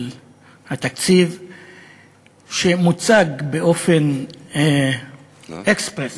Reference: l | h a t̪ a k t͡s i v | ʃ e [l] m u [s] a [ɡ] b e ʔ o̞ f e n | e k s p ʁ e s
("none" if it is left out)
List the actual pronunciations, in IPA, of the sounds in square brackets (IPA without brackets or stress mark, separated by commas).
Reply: none, t͡s, ɡ